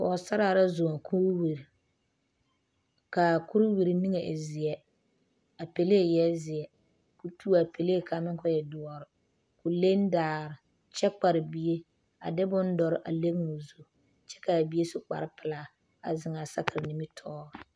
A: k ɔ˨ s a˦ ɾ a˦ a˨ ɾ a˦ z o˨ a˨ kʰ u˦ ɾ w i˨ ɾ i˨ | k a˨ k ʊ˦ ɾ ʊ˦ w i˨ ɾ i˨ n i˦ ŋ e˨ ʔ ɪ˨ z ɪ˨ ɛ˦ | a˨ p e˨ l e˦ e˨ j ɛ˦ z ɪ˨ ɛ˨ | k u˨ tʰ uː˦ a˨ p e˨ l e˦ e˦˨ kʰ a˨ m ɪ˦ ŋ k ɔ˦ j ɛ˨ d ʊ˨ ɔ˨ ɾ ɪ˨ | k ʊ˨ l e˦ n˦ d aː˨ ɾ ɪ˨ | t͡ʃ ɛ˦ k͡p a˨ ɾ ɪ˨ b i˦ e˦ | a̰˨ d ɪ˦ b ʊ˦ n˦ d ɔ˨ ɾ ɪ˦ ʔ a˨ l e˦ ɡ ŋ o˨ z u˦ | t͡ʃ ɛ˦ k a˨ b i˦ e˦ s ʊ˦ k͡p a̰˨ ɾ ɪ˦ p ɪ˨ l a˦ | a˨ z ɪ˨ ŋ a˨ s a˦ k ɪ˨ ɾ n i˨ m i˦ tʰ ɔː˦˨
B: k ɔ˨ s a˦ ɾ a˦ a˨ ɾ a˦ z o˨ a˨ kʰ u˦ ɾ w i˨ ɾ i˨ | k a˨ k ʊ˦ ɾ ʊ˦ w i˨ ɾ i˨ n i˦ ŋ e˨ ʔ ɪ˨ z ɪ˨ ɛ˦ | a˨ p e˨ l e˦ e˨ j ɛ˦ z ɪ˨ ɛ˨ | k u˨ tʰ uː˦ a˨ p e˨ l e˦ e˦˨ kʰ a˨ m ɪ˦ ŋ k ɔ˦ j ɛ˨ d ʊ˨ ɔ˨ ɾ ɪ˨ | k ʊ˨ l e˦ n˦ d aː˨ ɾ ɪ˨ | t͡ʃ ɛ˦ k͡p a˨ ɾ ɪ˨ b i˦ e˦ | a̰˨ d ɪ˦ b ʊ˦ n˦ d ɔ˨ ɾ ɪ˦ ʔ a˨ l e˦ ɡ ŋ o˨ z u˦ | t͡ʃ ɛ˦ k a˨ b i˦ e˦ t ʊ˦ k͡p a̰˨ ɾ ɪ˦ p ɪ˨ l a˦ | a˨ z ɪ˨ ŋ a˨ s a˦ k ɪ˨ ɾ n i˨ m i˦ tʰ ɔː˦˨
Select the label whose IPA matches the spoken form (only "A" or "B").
A